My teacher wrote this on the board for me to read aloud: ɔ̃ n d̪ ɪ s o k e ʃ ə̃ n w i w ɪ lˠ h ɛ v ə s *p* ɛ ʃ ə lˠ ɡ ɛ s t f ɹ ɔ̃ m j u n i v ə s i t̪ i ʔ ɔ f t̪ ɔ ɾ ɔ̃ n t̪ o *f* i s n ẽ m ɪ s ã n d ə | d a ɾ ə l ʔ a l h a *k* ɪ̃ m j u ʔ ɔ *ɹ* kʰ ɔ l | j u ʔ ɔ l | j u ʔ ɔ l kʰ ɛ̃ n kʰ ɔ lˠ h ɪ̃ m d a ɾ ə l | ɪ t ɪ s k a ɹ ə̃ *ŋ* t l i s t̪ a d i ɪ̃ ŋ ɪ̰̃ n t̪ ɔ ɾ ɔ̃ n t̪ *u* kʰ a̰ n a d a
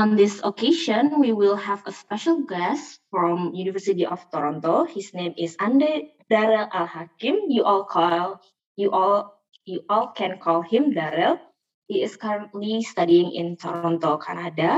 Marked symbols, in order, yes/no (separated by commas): yes, no, yes, no, no, no